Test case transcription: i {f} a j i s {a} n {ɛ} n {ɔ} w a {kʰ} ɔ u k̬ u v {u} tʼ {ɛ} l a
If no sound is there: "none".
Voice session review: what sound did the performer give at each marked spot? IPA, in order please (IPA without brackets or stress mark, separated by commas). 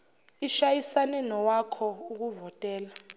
ʃ, a, ɛ, ɔ, kʰ, ɔ, ɛː